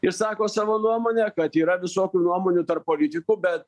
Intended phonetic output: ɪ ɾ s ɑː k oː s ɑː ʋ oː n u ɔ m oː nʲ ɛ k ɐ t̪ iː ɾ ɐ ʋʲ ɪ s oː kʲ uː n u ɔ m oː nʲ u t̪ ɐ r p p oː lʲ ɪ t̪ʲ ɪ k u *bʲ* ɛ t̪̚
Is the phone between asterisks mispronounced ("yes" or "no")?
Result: no